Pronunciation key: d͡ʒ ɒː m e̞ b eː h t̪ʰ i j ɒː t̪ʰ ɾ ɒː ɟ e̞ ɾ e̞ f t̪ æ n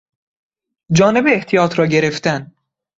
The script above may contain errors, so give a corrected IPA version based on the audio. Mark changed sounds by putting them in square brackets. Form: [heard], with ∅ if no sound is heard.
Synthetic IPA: d͡ʒ ɒː [n] e̞ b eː h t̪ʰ i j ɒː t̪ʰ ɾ ɒː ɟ e̞ ɾ e̞ f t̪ æ n

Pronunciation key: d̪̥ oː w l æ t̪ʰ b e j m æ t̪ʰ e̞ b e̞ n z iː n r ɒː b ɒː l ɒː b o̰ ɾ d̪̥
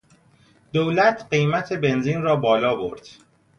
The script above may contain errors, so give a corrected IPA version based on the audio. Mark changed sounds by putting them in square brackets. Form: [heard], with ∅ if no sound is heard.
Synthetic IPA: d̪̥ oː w l æ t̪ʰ [ɢ] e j m æ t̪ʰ e̞ b e̞ n z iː n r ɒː b ɒː l ɒː b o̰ ɾ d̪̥

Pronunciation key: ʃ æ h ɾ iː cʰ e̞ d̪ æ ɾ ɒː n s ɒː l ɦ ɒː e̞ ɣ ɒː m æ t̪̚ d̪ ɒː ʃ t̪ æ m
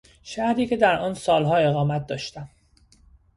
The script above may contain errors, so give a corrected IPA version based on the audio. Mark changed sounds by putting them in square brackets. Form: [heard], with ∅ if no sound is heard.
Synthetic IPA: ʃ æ h ɾ iː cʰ e̞ d̪ æ ɾ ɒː n s ɒː l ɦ ɒː e̞ ɣ ɒː m æ t̪̚ d̪ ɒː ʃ t̪ æ m

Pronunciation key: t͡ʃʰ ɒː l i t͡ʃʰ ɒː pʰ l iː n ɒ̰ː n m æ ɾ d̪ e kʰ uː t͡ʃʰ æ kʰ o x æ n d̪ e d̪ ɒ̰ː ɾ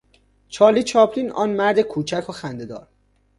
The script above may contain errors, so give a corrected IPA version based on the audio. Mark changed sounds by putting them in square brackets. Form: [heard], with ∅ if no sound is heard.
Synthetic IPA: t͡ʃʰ ɒː l i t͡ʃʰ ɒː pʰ l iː n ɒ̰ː n m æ ɾ d̪ e kʰ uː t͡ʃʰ æ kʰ o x æ n d̪ e d̪ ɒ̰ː ɾ

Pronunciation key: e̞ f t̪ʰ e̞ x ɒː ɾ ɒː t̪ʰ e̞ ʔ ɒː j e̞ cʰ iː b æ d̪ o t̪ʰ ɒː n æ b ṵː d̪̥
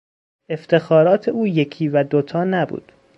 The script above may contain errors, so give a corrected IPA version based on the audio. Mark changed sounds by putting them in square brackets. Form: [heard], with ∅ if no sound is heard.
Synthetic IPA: e̞ f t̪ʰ e̞ x ɒː ɾ ɒː t̪ʰ e̞ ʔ [uː] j e̞ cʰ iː [v] æ d̪ o t̪ʰ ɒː n æ b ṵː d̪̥

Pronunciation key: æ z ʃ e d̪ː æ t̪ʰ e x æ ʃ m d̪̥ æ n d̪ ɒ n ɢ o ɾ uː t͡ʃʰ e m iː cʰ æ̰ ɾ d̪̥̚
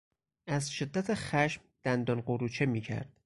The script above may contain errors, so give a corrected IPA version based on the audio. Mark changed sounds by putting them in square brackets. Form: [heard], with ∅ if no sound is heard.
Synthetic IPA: æ z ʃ e d̪ː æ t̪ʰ e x æ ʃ m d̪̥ æ n d̪ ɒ n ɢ o ɾ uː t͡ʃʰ e m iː cʰ æ̰ ɾ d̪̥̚

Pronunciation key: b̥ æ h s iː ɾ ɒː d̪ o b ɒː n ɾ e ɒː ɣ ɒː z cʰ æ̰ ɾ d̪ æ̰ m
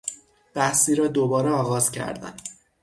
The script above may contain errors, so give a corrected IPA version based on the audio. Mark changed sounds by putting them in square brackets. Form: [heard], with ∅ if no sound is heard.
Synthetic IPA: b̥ æ h s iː ɾ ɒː d̪ o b ɒː [∅] ɾ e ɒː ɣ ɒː z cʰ æ̰ ɾ d̪ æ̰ [n]

